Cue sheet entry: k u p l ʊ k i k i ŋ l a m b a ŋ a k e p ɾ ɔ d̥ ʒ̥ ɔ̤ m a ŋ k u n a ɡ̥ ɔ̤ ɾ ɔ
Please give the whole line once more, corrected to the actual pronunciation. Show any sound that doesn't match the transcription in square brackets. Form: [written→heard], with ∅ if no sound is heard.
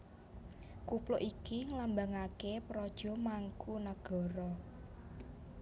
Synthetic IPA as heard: k u p l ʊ [k→ʔ] i k i ŋ l a m b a ŋ a k e p ɾ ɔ d̥ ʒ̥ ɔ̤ m a ŋ k u n a ɡ̥ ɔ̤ ɾ ɔ